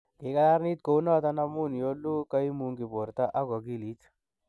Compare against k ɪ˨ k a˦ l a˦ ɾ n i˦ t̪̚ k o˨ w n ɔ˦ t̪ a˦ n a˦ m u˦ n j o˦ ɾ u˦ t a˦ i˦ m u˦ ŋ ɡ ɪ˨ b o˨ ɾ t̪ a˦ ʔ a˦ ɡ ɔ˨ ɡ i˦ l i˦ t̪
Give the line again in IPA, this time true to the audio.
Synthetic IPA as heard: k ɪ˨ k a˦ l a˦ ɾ n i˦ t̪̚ k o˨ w n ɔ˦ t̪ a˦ n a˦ m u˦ n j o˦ l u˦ k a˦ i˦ m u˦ ŋ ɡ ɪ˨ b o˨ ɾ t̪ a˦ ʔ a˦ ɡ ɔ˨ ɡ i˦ l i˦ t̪